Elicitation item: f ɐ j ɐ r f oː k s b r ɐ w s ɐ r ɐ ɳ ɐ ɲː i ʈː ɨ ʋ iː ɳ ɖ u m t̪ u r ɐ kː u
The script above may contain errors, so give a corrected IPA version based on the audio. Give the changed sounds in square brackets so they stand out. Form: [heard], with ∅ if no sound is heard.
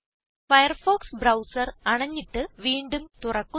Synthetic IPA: f ɐ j ɐ r f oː k s b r ɐ w s ɐ r ɐ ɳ ɐ ɲː i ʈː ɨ ʋ iː ɳ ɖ u m t̪ u r ɐ kː u